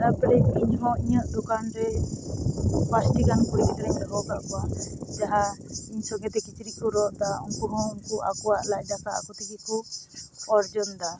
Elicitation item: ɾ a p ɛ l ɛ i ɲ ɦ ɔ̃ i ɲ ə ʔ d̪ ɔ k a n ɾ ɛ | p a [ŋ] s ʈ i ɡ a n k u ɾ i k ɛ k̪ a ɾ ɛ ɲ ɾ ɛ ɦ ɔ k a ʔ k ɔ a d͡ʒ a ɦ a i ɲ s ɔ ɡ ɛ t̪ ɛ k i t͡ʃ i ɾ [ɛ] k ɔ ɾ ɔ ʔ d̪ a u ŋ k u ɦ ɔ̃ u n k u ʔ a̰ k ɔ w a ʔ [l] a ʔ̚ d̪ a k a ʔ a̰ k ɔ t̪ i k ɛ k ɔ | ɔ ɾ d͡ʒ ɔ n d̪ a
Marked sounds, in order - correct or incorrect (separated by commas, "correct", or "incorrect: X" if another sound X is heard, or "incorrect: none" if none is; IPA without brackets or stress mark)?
incorrect: none, incorrect: i, correct